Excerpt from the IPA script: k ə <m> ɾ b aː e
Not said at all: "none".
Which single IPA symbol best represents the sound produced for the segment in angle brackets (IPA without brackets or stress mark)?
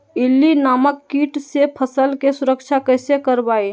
none